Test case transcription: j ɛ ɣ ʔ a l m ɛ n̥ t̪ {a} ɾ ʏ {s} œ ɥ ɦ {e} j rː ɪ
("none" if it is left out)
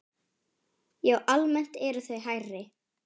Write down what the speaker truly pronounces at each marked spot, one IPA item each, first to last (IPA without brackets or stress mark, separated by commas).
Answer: ɛ, θ, a